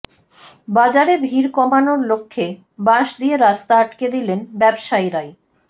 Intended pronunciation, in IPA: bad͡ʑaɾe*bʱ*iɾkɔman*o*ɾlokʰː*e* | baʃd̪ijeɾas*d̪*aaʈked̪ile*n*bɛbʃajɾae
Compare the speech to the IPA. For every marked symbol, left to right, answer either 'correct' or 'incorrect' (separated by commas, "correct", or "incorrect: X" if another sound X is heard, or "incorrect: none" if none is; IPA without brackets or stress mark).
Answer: correct, correct, correct, incorrect: t̪, correct